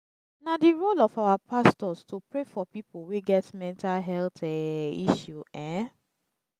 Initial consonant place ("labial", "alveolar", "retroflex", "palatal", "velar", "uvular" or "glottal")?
alveolar